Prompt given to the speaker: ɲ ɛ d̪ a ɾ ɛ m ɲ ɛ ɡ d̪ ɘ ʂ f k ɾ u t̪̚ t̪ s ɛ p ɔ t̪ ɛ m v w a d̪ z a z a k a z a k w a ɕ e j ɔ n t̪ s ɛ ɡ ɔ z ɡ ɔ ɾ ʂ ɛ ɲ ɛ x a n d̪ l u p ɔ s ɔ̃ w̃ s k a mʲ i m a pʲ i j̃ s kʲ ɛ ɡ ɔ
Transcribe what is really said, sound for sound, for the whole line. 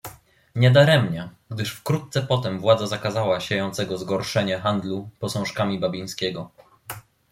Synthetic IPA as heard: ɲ ɛ d̪ a ɾ ɛ m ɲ ɛ ɡ d̪ ɘ ʂ f k ɾ u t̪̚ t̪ s ɛ p ɔ t̪ ɛ m v w a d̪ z a z a k a z a w a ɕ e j ɔ n t̪ s ɛ ɡ ɔ z ɡ ɔ ɾ ʂ ɛ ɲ ɛ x a n d̪ l u p ɔ s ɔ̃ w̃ ʂ k a mʲ i b a bʲ i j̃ s kʲ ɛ ɡ ɔ